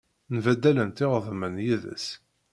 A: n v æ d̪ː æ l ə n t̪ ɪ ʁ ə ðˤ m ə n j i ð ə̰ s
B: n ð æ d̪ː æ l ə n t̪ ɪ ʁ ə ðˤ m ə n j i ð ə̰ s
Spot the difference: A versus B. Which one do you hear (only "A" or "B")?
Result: A